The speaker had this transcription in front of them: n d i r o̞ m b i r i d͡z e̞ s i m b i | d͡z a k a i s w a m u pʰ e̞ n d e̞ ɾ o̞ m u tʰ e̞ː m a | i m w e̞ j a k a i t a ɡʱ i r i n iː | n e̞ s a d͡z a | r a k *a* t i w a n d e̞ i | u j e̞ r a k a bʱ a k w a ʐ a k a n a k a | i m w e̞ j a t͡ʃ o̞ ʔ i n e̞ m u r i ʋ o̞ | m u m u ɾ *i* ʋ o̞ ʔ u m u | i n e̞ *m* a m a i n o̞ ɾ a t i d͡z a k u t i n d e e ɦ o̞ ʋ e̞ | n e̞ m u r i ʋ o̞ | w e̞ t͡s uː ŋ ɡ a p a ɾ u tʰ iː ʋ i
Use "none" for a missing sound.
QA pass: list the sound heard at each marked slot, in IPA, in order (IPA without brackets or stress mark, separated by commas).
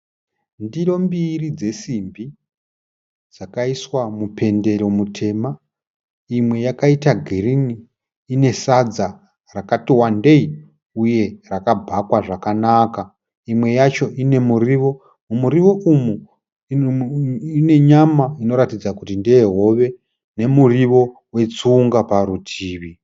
a, i, ɲ